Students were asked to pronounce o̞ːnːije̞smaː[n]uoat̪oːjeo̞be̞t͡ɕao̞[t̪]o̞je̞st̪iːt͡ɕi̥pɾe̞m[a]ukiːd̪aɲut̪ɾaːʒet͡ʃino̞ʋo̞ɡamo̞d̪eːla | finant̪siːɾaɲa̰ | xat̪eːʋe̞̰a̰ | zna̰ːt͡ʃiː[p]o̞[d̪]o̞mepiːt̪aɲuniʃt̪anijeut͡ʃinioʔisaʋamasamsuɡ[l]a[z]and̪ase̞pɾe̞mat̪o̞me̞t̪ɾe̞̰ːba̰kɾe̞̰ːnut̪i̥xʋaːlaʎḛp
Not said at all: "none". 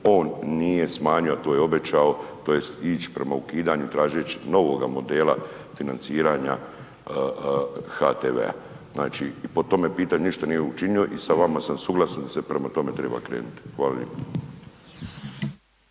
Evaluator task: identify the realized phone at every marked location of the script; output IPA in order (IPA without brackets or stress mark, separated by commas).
ɲ, t̪, a, p, t̪, l, s